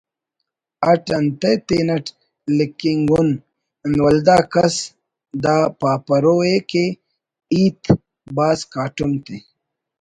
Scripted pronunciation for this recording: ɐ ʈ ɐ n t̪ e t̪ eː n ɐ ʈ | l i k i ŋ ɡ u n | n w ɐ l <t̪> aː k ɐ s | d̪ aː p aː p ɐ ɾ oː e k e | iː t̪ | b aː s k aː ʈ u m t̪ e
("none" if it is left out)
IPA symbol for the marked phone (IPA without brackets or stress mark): d̪